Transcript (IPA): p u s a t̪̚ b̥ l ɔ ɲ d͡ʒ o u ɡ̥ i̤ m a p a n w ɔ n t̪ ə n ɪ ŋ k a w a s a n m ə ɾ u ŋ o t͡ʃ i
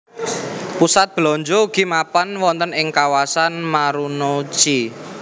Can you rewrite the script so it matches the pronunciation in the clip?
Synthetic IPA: p u s a t̪̚ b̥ l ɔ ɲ d͡ʒ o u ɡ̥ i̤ m a p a n w ɔ n t̪ ə n ɪ ŋ k a w a s a n m a ɾ u n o t͡ʃ i